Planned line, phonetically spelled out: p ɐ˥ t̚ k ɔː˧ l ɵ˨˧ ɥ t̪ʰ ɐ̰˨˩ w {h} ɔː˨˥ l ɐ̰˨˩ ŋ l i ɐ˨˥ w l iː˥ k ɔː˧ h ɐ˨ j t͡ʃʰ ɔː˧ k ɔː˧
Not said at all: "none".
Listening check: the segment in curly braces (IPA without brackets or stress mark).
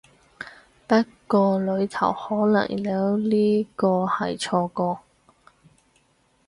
h